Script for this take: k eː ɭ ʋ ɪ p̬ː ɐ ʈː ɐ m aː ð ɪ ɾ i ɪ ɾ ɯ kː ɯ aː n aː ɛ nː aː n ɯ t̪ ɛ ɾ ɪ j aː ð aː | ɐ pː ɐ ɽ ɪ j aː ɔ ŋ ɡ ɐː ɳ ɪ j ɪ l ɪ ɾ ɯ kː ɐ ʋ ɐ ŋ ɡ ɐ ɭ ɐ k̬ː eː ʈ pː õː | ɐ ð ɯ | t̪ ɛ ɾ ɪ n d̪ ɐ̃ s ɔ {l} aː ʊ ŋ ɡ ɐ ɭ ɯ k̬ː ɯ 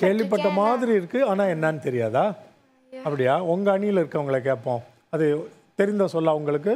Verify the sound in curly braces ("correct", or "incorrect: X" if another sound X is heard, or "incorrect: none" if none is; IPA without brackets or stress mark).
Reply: incorrect: lː